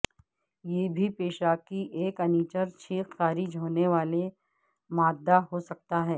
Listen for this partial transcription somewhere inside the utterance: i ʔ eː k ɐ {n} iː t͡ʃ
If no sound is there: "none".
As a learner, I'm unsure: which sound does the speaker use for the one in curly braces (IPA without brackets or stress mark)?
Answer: n